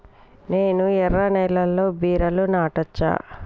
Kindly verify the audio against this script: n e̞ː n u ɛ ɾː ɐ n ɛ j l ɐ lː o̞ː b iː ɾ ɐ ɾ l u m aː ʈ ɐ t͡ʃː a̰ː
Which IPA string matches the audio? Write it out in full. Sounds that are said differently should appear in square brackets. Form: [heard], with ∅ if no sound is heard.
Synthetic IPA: n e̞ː n u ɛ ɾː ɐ n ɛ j l ɐ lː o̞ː b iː ɾ ɐ [∅] l u [n] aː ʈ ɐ t͡ʃː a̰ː

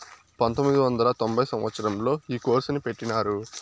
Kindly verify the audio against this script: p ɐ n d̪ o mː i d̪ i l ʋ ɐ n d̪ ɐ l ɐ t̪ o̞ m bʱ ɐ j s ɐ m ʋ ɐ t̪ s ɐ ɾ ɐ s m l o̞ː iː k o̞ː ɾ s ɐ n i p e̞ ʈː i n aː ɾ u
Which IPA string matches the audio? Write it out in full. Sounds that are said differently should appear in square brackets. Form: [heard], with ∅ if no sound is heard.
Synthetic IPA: p ɐ n [t̪] o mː i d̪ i [∅] ʋ ɐ n d̪ ɐ l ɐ t̪ o̞ m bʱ ɐ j s ɐ m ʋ ɐ t̪ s ɐ ɾ ɐ [∅] m l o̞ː iː k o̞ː ɾ s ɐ n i p e̞ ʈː i n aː ɾ u

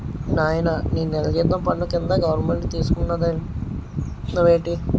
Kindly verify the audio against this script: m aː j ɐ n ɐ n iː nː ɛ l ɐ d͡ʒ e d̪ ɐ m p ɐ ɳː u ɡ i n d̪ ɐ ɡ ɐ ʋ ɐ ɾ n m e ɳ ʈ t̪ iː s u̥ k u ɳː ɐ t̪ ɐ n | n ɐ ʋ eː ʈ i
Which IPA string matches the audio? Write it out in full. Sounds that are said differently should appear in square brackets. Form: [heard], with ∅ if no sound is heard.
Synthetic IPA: [n] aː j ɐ n ɐ n iː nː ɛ l ɐ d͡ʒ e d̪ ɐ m p ɐ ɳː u [k] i n d̪ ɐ ɡ ɐ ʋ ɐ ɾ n m e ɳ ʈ t̪ iː s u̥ k u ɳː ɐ [d̪] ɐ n | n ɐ ʋ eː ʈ i

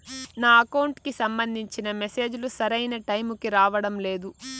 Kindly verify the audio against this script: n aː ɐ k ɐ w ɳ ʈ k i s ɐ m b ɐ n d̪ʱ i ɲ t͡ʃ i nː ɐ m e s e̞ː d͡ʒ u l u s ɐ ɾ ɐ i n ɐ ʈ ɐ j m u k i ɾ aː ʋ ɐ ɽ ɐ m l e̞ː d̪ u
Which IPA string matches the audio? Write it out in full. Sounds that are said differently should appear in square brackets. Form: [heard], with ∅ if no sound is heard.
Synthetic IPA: n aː ɐ k ɐ w ɳ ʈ k i s ɐ m b ɐ n d̪ʱ i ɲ t͡ʃ i [n] ɐ m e s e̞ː d͡ʒ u l u s ɐ ɾ ɐ [j] n ɐ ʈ ɐ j m u k i ɾ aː ʋ ɐ ɽ ɐ m l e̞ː d̪ u

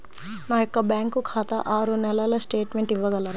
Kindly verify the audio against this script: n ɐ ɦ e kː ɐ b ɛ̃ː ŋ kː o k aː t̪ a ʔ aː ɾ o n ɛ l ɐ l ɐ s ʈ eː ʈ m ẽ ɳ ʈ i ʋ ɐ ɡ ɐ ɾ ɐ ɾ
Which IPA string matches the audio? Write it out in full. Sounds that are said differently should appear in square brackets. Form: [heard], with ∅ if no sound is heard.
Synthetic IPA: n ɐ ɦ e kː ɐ b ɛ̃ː ŋ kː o [kʰ] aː t̪ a ʔ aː ɾ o n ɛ l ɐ l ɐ s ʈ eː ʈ m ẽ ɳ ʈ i ʋ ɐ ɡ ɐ [l] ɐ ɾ

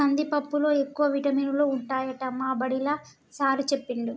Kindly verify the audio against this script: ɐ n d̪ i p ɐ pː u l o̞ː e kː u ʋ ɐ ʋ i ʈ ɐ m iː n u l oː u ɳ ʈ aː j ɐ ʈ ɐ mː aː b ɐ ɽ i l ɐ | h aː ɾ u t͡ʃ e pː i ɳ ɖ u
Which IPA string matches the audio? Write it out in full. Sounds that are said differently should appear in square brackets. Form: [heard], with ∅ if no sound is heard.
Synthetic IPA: ɐ n d̪ i p ɐ pː u l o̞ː e kː u ʋ ɐ ʋ i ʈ ɐ m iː n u l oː u ɳ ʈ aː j ɐ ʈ ɐ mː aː b ɐ ɽ i l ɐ | [s] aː ɾ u t͡ʃ e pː i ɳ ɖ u

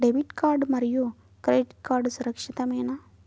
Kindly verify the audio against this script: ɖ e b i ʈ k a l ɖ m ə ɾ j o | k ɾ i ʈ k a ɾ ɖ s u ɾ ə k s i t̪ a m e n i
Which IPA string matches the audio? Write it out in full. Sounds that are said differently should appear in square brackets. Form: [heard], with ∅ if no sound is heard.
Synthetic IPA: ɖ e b i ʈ k a [ɾ] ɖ m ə ɾ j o | k ɾ [e] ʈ k a ɾ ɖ s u ɾ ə k [ʂ] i t̪ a m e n [a]

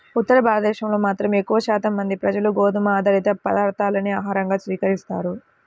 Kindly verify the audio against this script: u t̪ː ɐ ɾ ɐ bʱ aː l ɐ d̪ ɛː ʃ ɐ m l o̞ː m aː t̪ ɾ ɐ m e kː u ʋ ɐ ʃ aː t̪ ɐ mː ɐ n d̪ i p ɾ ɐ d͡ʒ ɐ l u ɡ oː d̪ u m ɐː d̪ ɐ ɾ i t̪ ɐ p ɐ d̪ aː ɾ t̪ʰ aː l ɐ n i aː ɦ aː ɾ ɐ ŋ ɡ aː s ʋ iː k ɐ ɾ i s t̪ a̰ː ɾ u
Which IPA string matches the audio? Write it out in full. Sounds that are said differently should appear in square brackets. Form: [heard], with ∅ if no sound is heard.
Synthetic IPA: u t̪ː ɐ ɾ ɐ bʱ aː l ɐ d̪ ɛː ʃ ɐ m l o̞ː m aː t̪ ɾ ɐ m e kː u ʋ ɐ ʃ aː t̪ ɐ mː ɐ n d̪ i p ɾ ɐ d͡ʒ ɐ l u ɡ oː d̪ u m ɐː d̪ ɐ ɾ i t̪ ɐ p ɐ d̪ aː ɾ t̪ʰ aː l ɐ n i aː ɦ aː ɾ ɐ ŋ ɡ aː s ʋ iː k ɐ ɾ i s t̪ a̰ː ɾ u

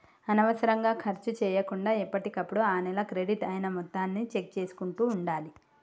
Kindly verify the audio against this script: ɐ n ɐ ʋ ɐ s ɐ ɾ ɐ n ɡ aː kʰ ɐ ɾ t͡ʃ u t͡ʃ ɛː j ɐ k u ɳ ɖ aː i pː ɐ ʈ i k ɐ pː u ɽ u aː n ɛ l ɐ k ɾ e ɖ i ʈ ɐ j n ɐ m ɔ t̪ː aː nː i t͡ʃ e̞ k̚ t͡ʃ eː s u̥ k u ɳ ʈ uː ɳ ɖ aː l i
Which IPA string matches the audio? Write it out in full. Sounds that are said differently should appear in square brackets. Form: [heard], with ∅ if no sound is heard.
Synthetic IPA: ɐ n ɐ ʋ ɐ s ɐ ɾ ɐ [ŋ] ɡ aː kʰ ɐ ɾ t͡ʃ u t͡ʃ ɛː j ɐ k u ɳ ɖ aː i pː ɐ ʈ i k ɐ pː u ɽ u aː n ɛ l ɐ k ɾ e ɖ i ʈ ɐ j n ɐ m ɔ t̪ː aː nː i t͡ʃ e̞ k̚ t͡ʃ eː s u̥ k u ɳ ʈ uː ɳ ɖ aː l i

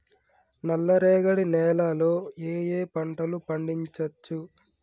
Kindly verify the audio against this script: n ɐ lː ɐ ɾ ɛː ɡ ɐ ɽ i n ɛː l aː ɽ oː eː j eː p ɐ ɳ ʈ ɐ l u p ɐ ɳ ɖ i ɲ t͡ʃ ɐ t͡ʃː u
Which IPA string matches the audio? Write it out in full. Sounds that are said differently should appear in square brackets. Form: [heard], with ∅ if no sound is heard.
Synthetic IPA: n ɐ lː ɐ ɾ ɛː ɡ ɐ ɽ i n ɛː l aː [l] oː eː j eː p ɐ ɳ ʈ ɐ l u p ɐ ɳ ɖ i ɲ t͡ʃ ɐ t͡ʃː u

